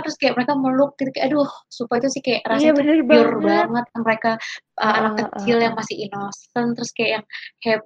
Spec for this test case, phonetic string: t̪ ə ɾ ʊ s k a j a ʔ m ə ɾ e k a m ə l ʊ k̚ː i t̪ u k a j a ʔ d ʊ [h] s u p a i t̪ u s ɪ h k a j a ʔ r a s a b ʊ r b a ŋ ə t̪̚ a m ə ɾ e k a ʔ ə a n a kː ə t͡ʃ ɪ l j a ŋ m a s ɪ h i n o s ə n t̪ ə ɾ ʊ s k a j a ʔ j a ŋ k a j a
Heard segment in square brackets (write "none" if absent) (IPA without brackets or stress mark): h